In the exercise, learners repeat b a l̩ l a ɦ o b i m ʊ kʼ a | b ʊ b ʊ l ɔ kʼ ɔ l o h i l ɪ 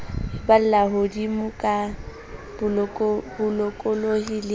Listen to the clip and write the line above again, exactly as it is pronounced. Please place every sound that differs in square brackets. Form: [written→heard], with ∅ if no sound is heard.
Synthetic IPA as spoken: b a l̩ l a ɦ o [b→d] i m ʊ kʼ a | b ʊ b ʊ l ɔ kʼ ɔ l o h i l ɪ